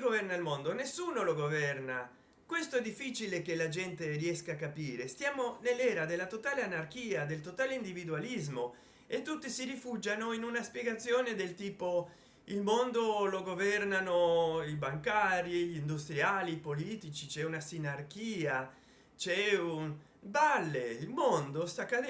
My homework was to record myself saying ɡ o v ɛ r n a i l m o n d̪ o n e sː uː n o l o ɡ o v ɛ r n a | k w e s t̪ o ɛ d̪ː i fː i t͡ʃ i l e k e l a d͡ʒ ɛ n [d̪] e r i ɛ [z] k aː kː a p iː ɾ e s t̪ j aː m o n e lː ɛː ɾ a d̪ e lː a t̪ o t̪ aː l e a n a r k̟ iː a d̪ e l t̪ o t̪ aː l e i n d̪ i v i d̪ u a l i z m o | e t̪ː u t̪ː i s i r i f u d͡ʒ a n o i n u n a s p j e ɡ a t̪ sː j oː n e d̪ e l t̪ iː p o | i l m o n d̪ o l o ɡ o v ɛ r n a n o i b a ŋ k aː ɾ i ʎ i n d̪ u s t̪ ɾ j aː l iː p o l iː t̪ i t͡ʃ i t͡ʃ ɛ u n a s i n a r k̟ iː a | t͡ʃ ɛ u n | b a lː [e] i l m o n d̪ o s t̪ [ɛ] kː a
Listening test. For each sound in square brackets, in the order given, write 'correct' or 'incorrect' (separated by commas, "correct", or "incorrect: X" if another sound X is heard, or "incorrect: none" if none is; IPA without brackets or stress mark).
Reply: incorrect: t̪, incorrect: s, correct, incorrect: a